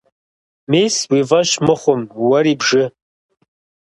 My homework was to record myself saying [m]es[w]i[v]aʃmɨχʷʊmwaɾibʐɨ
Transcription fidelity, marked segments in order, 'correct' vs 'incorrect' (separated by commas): correct, correct, correct